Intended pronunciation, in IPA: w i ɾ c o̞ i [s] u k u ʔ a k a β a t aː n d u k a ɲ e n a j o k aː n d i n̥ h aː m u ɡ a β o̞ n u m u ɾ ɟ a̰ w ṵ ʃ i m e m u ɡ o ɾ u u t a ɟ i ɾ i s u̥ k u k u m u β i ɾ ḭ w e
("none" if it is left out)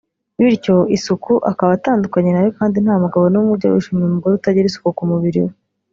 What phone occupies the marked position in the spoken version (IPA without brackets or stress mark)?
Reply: s